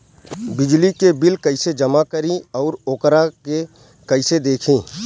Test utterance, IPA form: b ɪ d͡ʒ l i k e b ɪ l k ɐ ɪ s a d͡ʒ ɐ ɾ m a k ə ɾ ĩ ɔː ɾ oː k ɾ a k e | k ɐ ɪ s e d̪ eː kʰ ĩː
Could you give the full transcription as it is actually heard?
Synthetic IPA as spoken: b ɪ d͡ʒ l i k e b ɪ l k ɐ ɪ s e d͡ʒ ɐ m a k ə ɾ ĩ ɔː ɾ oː k ɾ a k e | k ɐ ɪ s e d̪ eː kʰ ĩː